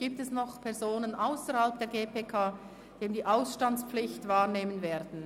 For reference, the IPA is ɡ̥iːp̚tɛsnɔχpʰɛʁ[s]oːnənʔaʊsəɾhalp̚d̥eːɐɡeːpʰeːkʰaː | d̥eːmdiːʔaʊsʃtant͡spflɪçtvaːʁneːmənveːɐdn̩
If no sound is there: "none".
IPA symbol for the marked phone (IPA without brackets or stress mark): z